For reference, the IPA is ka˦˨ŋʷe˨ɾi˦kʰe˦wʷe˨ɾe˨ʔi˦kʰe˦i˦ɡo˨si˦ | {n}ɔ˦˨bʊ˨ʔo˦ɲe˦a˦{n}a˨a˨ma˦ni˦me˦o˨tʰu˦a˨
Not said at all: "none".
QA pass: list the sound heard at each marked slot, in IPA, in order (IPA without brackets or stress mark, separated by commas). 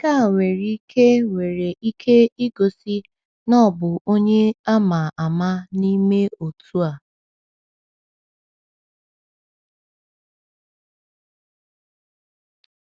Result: n, m